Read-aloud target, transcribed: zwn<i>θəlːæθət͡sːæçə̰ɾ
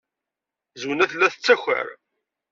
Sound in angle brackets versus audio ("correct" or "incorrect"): incorrect